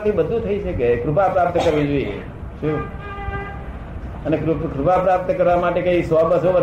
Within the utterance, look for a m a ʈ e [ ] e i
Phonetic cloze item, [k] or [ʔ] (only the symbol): k